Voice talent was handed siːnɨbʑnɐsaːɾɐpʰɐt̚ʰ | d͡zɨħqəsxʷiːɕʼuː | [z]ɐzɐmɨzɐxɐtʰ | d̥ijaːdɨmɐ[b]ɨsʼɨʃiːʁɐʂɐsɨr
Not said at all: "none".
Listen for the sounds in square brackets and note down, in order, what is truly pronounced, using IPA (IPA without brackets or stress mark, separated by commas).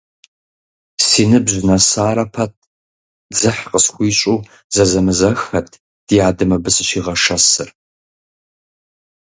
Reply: z, b